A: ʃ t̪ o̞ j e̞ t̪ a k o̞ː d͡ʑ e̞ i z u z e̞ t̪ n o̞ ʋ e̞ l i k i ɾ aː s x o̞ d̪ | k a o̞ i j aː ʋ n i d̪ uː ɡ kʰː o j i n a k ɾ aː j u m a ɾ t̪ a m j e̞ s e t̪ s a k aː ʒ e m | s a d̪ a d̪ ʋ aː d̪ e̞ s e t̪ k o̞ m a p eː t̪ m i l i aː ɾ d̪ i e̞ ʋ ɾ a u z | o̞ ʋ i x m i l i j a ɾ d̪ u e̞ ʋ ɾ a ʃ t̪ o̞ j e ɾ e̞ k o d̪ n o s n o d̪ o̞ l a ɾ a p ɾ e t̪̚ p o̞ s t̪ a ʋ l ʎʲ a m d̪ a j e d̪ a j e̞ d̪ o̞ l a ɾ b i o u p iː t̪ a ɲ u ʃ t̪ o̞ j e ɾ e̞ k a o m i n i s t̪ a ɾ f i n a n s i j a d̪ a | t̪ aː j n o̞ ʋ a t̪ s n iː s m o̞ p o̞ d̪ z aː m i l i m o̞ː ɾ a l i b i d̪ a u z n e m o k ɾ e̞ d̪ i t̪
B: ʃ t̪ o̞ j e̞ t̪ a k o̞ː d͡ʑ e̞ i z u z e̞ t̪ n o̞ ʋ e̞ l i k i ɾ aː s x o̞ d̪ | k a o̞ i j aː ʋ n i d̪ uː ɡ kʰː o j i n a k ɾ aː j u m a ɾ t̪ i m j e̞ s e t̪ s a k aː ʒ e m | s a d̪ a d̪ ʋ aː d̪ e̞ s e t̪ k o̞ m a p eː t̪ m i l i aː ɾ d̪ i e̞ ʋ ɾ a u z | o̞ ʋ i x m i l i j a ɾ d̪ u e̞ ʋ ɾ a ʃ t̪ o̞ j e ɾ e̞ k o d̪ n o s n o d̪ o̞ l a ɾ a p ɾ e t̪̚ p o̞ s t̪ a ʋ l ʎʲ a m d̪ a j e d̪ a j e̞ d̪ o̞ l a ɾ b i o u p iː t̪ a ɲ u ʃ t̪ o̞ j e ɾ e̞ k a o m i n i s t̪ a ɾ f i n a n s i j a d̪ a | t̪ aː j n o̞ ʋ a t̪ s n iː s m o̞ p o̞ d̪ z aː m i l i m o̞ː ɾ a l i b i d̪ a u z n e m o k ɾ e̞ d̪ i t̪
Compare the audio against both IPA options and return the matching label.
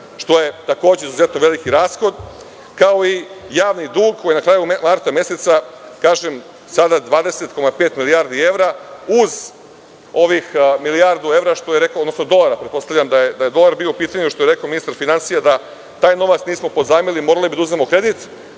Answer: A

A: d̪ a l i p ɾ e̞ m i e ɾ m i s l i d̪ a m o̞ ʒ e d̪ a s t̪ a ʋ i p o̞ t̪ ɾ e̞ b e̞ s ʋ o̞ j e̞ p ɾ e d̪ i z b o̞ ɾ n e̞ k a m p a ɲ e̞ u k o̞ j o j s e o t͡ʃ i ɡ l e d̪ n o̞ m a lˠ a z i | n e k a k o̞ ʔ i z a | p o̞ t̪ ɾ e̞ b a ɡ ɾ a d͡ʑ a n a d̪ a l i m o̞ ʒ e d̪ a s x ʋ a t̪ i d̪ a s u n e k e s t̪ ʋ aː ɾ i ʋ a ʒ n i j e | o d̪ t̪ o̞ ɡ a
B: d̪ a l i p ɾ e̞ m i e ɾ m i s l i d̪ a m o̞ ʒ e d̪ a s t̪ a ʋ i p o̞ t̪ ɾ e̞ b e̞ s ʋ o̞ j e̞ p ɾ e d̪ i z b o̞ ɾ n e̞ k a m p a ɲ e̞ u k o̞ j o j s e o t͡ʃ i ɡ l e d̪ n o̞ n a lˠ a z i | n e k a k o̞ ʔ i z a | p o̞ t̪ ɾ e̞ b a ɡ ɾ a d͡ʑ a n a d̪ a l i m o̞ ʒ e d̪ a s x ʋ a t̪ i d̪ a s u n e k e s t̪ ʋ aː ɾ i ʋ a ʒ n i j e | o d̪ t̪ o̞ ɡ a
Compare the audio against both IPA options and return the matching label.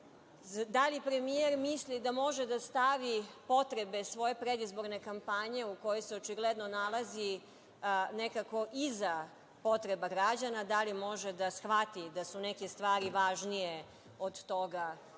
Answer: B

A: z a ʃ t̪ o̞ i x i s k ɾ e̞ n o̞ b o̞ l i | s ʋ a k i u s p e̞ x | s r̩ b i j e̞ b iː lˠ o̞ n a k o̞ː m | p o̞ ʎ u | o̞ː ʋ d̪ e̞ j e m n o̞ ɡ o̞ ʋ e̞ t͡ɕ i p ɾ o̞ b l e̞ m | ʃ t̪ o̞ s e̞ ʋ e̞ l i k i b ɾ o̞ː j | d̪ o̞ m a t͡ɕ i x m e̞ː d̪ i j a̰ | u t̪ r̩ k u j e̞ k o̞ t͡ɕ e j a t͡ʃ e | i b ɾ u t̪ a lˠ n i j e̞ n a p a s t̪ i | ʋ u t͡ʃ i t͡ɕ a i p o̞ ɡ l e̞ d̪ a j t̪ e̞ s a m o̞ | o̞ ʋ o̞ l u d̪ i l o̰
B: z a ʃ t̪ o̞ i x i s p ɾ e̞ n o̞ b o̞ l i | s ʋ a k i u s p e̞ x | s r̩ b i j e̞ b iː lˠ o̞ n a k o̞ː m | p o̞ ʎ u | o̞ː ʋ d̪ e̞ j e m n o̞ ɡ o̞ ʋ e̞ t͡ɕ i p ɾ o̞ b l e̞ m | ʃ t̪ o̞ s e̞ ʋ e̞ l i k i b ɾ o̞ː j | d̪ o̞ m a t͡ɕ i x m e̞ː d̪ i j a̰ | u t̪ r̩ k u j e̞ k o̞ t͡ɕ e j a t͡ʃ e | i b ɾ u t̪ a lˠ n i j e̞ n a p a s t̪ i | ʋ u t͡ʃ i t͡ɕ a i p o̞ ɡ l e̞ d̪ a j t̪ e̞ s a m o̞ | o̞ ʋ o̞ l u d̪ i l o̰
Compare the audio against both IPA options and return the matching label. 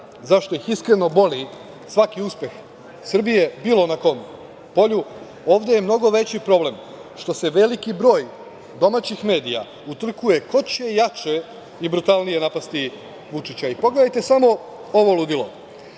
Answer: A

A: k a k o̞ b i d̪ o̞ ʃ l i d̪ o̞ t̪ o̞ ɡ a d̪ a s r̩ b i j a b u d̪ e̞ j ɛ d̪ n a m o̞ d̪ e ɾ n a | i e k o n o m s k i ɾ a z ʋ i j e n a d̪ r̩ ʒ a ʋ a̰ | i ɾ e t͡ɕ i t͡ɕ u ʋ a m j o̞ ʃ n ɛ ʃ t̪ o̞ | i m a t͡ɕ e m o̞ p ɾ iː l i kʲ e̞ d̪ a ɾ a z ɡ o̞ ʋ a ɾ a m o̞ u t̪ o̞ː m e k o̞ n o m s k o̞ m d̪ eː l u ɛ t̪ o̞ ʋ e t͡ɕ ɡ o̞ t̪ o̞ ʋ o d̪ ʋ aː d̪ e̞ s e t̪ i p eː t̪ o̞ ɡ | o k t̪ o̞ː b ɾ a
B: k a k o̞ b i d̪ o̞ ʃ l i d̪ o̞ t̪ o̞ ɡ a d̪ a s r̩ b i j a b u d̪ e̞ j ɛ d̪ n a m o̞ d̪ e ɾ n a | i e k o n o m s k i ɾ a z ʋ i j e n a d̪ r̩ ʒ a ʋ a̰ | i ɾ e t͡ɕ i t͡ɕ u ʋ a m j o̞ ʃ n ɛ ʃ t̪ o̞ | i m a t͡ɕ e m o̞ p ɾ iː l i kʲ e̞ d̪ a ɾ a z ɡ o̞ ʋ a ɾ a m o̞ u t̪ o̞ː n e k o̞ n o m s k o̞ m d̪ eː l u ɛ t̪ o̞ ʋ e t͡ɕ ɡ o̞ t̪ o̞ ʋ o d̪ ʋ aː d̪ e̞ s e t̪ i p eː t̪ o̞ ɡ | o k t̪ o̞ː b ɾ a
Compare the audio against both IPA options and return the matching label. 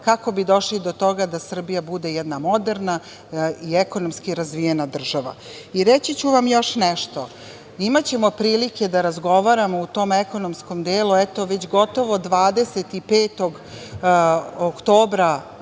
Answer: A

